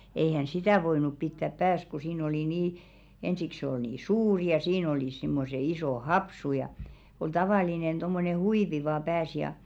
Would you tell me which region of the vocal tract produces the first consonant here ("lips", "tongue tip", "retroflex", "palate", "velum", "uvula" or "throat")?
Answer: throat